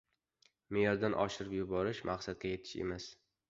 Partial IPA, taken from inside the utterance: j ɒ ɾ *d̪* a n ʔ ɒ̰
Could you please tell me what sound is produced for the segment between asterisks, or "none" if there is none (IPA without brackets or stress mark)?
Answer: d̪